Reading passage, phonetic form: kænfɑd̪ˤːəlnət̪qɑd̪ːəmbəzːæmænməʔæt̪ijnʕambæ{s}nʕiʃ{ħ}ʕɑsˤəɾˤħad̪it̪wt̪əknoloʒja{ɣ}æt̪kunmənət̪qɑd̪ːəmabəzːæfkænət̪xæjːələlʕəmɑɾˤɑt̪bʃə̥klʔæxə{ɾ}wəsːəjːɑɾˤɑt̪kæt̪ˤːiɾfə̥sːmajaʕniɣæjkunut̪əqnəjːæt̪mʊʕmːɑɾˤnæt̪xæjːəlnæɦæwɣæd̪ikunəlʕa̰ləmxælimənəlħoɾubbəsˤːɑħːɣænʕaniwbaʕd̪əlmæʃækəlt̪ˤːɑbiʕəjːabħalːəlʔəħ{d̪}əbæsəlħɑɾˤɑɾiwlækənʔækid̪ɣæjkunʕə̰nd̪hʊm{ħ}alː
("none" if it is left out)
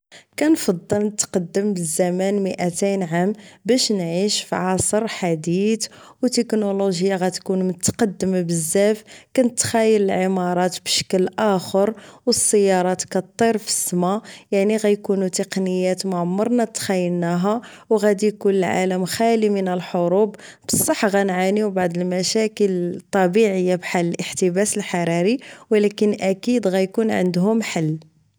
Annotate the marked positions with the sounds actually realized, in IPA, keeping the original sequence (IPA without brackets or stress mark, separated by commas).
ʃ, f, ɣ, ɾ, t̪, ħ